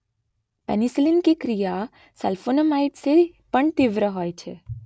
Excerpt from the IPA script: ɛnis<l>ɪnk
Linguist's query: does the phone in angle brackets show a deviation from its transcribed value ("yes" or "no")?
no